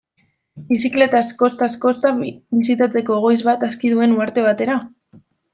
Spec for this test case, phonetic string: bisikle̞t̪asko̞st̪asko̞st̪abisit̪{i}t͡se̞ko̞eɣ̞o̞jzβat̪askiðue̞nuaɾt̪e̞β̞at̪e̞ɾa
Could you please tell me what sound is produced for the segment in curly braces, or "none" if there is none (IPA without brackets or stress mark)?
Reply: a